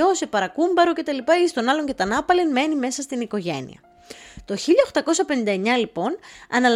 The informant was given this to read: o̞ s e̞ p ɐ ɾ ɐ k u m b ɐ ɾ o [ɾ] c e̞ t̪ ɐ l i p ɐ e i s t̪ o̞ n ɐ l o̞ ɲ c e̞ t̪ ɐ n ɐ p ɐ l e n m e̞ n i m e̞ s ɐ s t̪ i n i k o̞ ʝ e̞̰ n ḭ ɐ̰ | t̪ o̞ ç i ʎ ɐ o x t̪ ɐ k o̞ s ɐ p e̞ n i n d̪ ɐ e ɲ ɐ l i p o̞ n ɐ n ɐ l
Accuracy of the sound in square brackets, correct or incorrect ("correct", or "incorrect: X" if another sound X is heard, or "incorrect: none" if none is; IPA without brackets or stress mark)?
incorrect: none